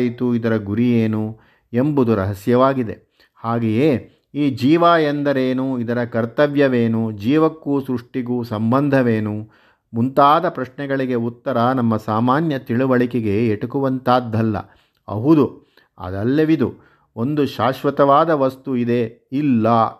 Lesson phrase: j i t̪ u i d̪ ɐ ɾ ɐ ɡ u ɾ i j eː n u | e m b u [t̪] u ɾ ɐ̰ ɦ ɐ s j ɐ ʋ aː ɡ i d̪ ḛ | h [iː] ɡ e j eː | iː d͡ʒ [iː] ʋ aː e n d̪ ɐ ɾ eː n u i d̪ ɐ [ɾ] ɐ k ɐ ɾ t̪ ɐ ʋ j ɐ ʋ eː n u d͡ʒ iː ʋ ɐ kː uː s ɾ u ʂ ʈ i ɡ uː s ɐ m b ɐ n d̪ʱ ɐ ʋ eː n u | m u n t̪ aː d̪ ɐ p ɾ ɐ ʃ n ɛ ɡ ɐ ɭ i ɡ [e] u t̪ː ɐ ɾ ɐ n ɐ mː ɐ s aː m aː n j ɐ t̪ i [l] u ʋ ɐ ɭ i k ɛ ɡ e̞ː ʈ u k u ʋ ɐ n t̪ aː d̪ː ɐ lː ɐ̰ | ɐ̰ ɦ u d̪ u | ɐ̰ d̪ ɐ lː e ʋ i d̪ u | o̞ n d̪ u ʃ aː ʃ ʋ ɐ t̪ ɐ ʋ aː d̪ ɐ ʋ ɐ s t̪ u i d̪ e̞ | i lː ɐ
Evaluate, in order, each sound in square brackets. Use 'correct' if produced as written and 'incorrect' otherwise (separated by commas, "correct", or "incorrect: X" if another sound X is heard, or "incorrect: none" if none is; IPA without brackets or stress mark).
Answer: incorrect: d̪, incorrect: aː, correct, correct, correct, incorrect: ɭ